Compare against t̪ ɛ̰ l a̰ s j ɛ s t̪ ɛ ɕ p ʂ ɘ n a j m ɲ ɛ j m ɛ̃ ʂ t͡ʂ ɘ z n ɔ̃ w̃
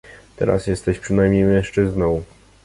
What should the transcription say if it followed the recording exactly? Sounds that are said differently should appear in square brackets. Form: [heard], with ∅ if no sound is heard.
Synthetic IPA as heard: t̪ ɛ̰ [ɾ] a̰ s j ɛ s t̪ ɛ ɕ p ʂ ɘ n a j m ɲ [e] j m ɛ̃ ʂ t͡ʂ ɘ z n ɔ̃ w̃